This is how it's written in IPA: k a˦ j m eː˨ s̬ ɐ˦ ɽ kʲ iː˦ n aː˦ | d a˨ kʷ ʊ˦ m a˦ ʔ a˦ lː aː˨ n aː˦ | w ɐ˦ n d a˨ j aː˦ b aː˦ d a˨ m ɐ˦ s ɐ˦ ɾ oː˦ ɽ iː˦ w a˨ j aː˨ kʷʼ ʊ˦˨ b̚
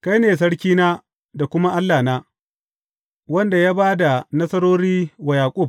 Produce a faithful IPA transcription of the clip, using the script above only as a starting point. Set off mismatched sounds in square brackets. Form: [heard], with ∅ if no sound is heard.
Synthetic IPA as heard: k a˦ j [n] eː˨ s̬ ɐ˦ ɽ kʲ iː˦ n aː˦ | d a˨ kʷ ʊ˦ m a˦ ʔ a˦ lː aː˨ n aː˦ | w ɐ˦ n d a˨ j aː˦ b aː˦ d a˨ [n] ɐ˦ s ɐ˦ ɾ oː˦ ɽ iː˦ w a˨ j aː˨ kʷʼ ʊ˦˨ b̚